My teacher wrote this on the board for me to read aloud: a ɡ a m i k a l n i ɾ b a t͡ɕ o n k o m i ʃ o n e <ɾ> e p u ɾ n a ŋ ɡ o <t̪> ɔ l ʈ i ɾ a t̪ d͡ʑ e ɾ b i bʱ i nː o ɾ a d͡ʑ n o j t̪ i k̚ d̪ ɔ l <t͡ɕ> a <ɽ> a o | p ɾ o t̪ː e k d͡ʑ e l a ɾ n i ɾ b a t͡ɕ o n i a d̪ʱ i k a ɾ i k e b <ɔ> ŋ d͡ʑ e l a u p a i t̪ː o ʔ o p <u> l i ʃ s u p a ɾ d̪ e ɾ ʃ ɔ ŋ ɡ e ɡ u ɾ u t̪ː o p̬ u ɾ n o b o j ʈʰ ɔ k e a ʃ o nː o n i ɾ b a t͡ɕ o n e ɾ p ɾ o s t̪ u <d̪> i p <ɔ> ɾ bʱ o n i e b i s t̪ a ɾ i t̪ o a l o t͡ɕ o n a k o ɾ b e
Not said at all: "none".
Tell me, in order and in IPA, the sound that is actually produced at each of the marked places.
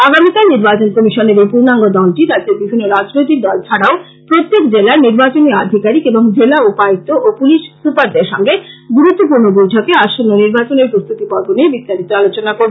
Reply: ɾ, d̪, t͡ɕʰ, ɽ, o, u, t̪, ɔ

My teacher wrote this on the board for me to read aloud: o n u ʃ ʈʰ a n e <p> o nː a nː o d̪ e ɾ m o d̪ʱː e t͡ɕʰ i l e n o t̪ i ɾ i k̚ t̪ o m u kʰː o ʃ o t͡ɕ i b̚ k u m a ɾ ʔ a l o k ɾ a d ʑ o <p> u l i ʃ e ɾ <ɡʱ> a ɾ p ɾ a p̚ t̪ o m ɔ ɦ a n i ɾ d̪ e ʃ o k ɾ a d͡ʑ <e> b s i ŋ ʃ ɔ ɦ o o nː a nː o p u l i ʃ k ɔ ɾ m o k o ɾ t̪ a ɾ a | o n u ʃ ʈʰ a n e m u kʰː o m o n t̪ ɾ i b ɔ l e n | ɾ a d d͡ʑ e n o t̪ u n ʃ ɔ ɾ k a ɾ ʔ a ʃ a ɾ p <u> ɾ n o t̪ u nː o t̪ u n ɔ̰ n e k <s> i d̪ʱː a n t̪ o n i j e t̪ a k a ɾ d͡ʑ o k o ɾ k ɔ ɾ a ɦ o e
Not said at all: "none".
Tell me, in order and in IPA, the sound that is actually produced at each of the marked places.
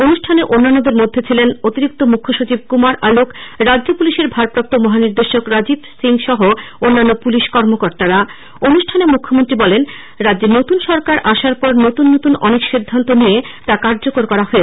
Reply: ʔ, p, bʱ, i, ɔ, ʃ

